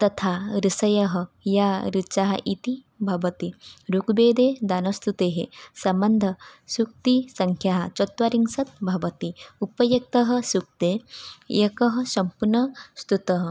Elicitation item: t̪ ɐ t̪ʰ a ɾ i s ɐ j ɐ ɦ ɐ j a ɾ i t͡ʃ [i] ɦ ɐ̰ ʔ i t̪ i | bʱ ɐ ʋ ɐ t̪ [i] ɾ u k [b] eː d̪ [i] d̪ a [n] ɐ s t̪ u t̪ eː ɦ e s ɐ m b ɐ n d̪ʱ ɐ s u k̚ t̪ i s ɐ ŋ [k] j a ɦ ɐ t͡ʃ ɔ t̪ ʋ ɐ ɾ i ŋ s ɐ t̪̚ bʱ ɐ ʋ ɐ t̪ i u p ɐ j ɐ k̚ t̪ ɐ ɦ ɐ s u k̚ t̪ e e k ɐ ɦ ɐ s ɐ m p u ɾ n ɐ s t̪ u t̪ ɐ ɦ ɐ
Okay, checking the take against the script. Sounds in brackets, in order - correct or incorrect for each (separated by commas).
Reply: incorrect, correct, correct, incorrect, correct, incorrect